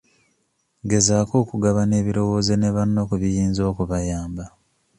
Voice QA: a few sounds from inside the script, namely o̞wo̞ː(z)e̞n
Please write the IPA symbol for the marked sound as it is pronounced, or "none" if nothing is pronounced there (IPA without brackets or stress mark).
z